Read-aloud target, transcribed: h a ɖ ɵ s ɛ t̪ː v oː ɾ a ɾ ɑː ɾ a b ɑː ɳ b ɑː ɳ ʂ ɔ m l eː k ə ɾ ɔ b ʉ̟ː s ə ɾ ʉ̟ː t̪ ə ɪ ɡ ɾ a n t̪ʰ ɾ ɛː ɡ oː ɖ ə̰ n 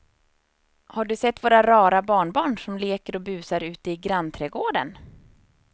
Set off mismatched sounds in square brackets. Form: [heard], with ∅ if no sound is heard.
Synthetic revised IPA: h a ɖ ɵ s ɛ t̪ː v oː ɾ a ɾ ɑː ɾ a b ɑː ɳ b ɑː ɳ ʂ ɔ m l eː k ə ɾ ɔ b ʉ̟ː s [a] ɾ ʉ̟ː t̪ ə ɪ ɡ ɾ a n t̪ʰ ɾ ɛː ɡ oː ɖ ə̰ n